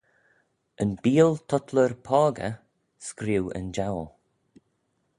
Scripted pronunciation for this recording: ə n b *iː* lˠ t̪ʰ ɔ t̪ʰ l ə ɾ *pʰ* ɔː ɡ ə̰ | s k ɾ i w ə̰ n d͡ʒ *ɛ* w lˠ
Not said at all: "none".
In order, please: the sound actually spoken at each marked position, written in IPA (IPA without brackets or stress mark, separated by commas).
iː, pʰ, a